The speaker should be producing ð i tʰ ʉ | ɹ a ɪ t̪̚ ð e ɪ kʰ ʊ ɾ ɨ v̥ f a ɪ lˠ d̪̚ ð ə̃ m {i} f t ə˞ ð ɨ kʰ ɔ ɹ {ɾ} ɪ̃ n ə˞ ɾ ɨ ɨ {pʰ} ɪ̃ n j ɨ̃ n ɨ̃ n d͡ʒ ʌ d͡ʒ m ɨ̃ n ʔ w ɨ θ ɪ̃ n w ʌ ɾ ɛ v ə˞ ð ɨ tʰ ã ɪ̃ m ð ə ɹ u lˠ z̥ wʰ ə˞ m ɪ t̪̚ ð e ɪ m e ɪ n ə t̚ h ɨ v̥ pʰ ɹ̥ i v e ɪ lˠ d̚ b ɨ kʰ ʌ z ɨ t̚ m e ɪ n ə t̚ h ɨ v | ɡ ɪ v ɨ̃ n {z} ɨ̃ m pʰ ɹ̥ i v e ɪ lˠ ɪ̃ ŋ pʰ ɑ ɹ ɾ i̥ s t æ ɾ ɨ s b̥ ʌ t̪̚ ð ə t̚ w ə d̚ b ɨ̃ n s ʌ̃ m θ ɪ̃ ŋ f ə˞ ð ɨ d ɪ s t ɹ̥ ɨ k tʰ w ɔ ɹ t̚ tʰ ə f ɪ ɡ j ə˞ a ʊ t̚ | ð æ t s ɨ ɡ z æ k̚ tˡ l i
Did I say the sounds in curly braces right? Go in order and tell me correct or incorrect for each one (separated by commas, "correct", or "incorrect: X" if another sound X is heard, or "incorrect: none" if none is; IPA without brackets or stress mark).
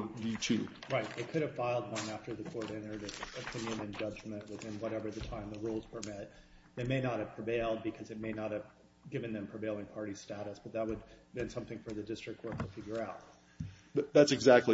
incorrect: æ, correct, correct, incorrect: ð